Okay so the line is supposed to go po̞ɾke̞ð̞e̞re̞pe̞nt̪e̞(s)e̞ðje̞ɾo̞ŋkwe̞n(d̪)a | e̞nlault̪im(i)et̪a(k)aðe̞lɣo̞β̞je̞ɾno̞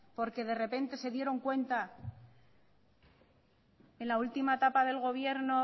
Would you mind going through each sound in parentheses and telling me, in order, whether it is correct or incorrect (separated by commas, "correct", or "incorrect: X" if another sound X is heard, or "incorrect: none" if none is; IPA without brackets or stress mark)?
correct, incorrect: t̪, incorrect: a, incorrect: p